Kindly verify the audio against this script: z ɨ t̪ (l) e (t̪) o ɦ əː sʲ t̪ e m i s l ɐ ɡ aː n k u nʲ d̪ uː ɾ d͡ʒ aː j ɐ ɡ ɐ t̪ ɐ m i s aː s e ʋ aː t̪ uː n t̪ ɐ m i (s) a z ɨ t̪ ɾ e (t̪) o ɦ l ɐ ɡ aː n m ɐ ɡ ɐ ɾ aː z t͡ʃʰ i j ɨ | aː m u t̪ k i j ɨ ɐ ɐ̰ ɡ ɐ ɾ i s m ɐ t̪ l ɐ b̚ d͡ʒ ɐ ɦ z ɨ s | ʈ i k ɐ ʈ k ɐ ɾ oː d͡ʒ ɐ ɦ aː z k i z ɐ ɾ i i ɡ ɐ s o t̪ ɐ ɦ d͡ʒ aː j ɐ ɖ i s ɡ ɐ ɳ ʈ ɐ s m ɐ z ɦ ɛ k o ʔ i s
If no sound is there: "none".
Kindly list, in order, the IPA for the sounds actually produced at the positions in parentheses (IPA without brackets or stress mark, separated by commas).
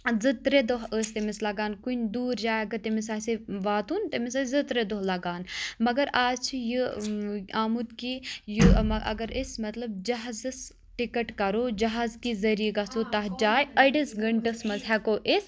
ɾ, d̪, s, d̪